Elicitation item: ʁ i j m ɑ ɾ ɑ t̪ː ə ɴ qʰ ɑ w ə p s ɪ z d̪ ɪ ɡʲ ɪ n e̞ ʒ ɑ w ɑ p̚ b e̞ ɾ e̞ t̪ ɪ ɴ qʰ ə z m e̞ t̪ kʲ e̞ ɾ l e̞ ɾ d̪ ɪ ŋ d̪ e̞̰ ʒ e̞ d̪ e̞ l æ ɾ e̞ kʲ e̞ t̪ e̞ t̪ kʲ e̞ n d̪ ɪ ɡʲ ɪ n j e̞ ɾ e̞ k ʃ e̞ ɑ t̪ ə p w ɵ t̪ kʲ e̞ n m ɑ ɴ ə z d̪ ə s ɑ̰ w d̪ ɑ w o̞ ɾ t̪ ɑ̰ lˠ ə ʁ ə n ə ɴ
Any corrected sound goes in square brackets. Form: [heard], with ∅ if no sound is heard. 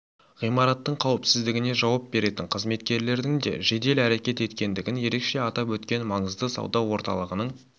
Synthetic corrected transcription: ʁ i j m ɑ ɾ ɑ t̪ː ə ɴ qʰ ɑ w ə p s ɪ z d̪ ɪ ɡʲ ɪ n e̞ ʒ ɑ w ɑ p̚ b e̞ ɾ e̞ t̪ ɪ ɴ qʰ ə z m e̞ t̪ kʲ e̞ ɾ l e̞ ɾ d̪ ɪ ŋ d̪ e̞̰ ʒ e̞ d̪ e̞ l æ ɾ e̞ kʲ e̞ t̪ e̞ t̪ kʲ e̞ n d̪ ɪ ɡʲ ɪ n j e̞ ɾ e̞ k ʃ e̞ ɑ t̪ [ɑ] p w ɵ t̪ kʲ e̞ n m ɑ ɴ ə z d̪ ə s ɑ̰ w d̪ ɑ w o̞ ɾ t̪ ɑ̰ lˠ ə ʁ ə n ə ɴ